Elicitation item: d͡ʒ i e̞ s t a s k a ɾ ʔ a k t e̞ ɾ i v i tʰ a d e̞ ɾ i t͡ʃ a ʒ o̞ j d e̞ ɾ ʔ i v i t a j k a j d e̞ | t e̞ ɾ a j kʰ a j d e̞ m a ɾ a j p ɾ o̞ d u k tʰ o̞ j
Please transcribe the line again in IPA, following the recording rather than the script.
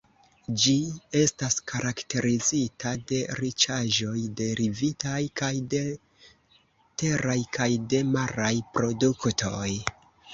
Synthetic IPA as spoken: d͡ʒ i e̞ s t a s k a ɾ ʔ a k t e̞ ɾ i z i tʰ a d e̞ ɾ i t͡ʃ a ʒ o̞ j d e̞ ɾ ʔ i v i t a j k a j d e̞ | t e̞ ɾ a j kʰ a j d e̞ m a ɾ a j p ɾ o̞ d u k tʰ o̞ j